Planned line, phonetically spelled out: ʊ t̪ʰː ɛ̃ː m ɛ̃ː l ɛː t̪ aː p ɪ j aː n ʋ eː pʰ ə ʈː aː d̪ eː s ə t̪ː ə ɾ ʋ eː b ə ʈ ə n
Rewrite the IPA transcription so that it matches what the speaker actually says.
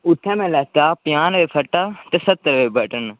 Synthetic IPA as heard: ʊ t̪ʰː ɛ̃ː m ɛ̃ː l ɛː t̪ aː p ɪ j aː n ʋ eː pʰ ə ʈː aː t̪ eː s ə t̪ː ə ɾ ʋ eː b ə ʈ ə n